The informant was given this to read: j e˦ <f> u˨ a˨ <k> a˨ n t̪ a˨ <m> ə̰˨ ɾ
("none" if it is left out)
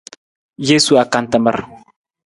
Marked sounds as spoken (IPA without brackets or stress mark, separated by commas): s, k, m